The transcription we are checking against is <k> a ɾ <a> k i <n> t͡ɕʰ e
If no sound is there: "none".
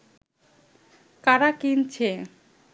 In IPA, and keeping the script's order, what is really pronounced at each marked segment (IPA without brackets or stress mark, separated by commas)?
k, a, n